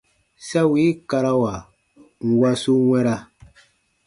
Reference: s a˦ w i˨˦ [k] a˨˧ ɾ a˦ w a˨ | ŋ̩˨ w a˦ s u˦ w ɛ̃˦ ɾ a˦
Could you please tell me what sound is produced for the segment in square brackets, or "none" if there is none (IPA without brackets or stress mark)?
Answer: k